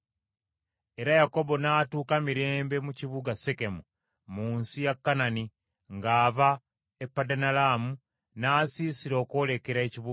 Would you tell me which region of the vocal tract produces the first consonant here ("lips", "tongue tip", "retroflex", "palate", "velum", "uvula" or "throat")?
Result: tongue tip